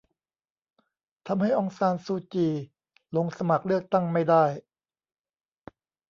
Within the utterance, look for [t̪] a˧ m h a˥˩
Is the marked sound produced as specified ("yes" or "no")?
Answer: no